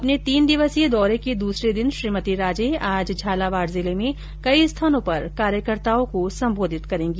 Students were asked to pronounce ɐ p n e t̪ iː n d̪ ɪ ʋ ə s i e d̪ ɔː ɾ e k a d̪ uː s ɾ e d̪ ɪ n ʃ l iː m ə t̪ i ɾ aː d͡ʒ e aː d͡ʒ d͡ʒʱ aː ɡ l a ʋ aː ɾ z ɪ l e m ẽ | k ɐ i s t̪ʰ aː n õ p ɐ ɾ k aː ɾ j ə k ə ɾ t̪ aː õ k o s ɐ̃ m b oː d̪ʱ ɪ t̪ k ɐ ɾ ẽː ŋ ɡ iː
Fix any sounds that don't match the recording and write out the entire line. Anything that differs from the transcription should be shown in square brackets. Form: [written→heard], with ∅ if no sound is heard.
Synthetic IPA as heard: ɐ p n e t̪ iː n d̪ ɪ ʋ ə s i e d̪ ɔː ɾ e k [a→e] d̪ uː s ɾ e d̪ ɪ n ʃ [l→ɾ] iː m ə t̪ i ɾ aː d͡ʒ e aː d͡ʒ d͡ʒʱ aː [ɡ→∅] l a ʋ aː ɾ z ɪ l e m ẽ | k ɐ i s t̪ʰ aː n õ p ɐ ɾ k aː ɾ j ə k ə ɾ t̪ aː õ k o s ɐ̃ m b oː d̪ʱ ɪ t̪ k ɐ ɾ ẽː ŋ ɡ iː